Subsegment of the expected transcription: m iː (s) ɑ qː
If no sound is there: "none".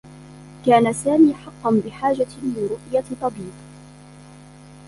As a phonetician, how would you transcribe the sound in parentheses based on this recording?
ħ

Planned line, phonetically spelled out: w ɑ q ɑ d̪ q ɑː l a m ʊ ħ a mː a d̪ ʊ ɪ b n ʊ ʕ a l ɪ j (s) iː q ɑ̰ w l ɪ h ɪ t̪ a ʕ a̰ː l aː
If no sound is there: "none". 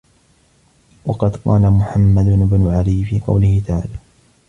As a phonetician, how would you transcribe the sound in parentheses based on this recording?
f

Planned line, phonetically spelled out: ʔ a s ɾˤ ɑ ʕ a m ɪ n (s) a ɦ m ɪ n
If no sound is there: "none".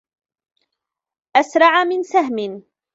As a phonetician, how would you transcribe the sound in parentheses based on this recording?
s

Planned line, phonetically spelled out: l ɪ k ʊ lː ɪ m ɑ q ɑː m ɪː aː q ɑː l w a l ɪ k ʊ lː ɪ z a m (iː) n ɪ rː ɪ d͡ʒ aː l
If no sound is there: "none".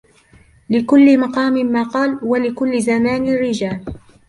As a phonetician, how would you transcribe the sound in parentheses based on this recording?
aː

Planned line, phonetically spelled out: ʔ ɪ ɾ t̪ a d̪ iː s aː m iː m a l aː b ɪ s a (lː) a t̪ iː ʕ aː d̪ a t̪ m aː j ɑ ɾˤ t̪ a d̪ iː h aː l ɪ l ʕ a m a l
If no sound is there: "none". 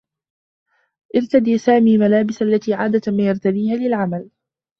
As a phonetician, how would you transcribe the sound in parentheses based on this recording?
lː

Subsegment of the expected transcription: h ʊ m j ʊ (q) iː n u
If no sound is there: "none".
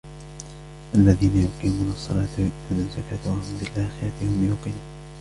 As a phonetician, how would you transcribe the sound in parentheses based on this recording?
q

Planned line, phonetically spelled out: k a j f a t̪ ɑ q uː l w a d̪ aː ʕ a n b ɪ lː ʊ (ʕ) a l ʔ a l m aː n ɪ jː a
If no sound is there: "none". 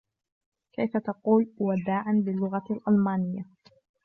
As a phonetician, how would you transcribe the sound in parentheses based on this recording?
ɣ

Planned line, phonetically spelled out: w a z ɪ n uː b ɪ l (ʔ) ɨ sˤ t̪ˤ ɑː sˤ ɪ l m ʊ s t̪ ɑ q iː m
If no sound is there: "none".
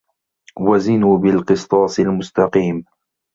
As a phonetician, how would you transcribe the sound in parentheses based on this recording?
q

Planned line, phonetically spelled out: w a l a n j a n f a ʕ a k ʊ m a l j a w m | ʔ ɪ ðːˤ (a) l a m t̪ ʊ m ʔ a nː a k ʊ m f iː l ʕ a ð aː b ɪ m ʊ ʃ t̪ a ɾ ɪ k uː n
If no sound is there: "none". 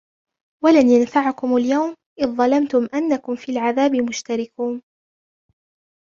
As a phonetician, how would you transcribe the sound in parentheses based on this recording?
ɑ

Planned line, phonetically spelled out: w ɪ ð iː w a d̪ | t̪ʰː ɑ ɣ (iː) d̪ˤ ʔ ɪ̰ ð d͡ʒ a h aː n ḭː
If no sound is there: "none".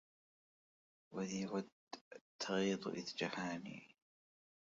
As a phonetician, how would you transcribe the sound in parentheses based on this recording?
iː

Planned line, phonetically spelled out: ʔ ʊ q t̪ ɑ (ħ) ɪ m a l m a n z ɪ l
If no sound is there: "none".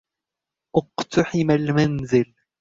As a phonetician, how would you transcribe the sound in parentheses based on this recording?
ħ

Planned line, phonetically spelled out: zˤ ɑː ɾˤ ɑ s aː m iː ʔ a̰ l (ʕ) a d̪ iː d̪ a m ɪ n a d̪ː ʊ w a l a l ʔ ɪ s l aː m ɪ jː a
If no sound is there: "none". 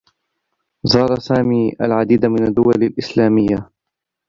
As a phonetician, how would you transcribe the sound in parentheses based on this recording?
ʕ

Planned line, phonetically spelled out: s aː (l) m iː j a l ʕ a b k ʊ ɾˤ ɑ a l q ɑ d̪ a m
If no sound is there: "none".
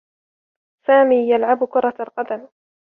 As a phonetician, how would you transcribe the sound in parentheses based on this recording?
none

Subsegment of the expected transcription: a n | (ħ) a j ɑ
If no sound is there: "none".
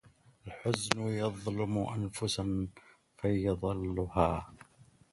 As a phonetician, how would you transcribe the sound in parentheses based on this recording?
f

